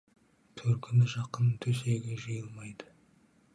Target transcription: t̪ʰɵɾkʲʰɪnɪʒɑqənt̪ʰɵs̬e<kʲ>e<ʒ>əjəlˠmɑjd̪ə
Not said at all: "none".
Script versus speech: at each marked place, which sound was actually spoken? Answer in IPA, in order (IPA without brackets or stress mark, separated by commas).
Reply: ɡʲ, ʒ